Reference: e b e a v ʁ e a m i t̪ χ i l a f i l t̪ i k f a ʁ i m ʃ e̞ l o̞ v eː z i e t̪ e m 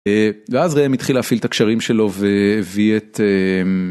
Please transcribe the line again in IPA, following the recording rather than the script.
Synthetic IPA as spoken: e v e a z ʁ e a m i t̪ χ i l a f i l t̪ a k ʃ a ʁ i m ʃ e̞ l o̞ v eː v i e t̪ e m